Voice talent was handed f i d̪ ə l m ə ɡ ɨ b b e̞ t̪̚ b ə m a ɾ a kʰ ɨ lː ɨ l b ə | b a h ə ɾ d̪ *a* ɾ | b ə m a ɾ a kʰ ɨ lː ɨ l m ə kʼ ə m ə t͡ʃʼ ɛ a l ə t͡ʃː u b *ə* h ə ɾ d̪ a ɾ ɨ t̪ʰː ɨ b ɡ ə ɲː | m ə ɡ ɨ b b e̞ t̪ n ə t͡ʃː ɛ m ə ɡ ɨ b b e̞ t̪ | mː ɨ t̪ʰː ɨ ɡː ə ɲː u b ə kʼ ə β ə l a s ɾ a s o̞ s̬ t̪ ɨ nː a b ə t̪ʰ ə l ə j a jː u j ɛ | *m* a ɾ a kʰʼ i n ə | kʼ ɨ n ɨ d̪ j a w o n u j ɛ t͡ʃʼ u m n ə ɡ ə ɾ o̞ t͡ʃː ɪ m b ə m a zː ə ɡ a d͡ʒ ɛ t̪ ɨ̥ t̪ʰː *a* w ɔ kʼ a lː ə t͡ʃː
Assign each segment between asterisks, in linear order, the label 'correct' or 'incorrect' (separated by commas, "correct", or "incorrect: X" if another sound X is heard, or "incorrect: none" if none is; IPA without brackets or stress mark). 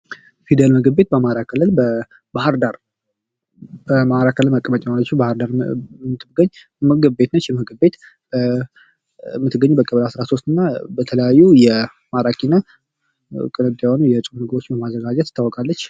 correct, incorrect: a, correct, correct